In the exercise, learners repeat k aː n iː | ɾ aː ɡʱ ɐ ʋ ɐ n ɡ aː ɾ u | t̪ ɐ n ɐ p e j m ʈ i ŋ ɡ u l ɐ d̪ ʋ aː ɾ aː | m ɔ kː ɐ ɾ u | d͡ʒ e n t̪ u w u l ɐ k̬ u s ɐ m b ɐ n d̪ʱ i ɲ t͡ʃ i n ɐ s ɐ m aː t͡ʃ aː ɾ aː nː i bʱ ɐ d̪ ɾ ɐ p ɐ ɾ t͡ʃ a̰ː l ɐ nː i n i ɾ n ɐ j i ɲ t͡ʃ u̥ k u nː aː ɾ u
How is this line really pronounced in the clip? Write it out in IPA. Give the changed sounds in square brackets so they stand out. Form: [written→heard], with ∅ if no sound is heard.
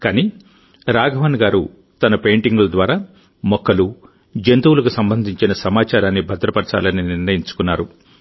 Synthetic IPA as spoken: k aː n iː | ɾ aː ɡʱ ɐ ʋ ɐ n ɡ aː ɾ u | t̪ ɐ n ɐ p e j [m→ɳ] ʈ i ŋ ɡ u l ɐ d̪ ʋ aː ɾ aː | m ɔ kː ɐ [ɾ→l] u | d͡ʒ e n t̪ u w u l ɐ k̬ u s ɐ m b ɐ n d̪ʱ i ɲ t͡ʃ i n ɐ s ɐ m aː t͡ʃ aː ɾ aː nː i bʱ ɐ d̪ ɾ ɐ p ɐ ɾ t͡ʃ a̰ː l ɐ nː i n i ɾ n ɐ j i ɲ t͡ʃ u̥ k u nː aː ɾ u